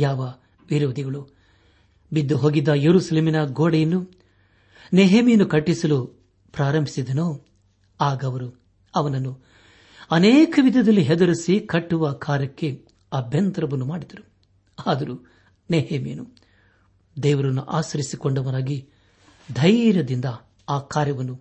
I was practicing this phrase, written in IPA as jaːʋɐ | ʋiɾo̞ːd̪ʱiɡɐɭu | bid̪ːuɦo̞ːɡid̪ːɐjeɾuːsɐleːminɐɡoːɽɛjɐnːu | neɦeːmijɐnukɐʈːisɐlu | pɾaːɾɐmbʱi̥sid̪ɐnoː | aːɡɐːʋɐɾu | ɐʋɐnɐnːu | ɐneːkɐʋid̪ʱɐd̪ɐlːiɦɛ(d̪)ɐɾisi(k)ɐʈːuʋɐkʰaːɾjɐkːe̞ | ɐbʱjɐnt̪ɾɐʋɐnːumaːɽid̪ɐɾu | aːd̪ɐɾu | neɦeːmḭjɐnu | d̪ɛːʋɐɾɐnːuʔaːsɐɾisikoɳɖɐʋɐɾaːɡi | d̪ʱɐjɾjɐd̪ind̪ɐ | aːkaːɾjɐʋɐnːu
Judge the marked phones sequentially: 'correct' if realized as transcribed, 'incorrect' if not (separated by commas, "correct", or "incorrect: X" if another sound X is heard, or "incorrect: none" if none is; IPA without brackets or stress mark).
correct, correct